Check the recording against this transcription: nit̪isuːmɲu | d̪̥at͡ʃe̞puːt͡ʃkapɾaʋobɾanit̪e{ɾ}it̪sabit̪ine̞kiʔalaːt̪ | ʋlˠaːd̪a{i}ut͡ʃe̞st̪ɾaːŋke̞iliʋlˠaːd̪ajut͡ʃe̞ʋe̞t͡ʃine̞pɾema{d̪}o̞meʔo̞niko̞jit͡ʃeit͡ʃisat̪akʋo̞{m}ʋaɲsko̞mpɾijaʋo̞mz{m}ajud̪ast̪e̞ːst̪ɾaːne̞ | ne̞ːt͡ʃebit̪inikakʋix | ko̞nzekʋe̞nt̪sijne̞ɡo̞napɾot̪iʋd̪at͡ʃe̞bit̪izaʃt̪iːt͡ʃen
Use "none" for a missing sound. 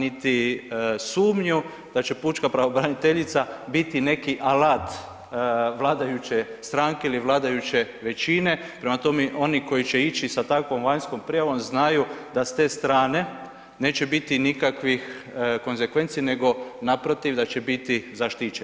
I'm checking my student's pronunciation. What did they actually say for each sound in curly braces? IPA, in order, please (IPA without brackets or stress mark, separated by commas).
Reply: ʎ, j, t̪, m, n